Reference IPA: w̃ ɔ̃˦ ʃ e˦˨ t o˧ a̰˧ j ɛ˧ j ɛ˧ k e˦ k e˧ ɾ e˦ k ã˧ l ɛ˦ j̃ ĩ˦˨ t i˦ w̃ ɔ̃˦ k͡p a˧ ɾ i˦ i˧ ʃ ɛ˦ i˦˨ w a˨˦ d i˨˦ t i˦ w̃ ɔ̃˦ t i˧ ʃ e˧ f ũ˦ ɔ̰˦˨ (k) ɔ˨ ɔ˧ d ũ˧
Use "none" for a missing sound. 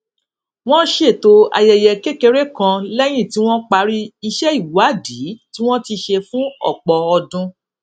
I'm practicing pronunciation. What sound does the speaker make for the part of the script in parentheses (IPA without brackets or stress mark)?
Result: k͡p